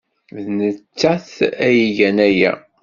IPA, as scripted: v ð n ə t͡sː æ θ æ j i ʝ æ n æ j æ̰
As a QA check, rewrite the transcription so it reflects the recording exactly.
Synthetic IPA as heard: v ð n ə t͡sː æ θ æ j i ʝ æ n æ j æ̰